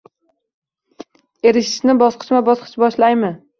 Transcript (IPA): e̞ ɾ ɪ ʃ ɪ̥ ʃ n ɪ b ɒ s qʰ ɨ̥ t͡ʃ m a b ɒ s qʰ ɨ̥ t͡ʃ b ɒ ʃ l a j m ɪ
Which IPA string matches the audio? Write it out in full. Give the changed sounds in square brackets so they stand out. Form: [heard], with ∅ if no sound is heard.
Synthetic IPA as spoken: e̞ ɾ ɪ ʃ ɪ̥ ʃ n ɪ b ɒ s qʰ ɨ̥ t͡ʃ m a b ɒ s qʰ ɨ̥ t͡ʃ b ɒ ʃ l a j m ɪ